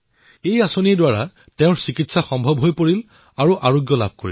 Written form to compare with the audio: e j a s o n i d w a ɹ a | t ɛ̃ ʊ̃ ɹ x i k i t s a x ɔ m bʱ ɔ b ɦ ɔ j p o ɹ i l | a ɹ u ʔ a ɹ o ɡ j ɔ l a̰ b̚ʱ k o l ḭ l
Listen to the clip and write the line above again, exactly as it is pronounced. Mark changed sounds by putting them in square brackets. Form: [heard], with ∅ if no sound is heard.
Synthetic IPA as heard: e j a s o n i d w a ɹ a | t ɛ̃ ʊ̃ ɹ [s] i k i t s a x ɔ m bʱ ɔ b ɦ [o] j p o ɹ i l | a ɹ u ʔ a ɹ o ɡ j ɔ l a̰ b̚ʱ k o [ɹ] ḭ l